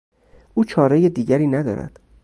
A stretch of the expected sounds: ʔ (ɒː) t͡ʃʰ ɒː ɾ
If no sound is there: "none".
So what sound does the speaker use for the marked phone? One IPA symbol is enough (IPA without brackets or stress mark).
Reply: uː